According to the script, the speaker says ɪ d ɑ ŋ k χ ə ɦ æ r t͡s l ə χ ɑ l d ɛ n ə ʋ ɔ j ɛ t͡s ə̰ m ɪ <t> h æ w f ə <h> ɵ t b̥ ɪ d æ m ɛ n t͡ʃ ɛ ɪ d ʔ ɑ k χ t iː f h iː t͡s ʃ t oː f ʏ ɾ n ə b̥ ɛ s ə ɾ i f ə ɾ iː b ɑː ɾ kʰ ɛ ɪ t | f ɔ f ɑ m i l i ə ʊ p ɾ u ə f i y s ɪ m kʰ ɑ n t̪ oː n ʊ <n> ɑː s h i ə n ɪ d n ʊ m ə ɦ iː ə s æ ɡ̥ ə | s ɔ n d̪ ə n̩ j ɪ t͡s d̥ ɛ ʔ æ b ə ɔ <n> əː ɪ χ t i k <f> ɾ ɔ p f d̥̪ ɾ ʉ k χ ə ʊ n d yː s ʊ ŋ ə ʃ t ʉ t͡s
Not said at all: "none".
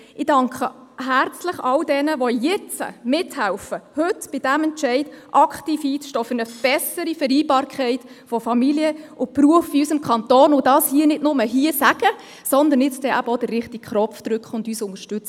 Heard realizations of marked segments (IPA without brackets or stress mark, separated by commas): t, h, d, d, χ